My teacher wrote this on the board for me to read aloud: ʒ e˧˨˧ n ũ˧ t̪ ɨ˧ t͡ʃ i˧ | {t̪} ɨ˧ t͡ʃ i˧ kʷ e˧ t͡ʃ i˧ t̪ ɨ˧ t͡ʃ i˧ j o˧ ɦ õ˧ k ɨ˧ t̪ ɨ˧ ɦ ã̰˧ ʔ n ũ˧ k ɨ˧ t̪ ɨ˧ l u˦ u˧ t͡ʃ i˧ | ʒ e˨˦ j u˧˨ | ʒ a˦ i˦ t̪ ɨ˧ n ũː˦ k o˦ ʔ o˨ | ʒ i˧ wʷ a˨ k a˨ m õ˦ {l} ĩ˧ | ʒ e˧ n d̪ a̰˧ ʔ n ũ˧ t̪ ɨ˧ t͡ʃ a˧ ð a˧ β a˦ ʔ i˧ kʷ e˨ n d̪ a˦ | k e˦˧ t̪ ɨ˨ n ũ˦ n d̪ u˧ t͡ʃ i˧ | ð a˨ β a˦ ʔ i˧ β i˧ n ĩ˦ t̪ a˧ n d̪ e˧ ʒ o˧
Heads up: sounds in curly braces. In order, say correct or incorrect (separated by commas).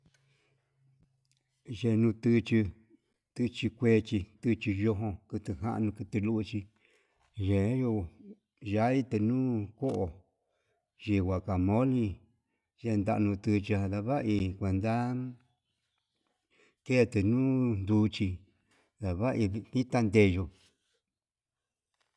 correct, correct